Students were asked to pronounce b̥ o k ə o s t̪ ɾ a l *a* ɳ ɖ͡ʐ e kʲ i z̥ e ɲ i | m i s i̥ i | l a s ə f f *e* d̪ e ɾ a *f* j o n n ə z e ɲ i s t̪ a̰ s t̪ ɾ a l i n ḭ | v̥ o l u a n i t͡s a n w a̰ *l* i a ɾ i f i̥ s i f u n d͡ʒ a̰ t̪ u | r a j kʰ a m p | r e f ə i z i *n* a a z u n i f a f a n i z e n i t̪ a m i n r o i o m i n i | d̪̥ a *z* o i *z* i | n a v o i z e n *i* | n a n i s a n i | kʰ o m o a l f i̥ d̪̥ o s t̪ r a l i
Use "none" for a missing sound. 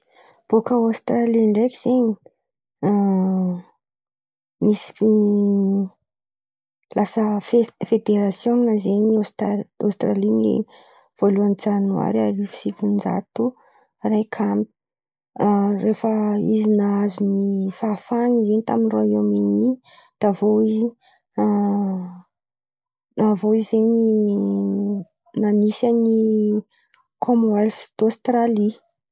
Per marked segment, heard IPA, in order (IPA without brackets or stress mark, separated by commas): i, e, s, ɾ, n, v, z, i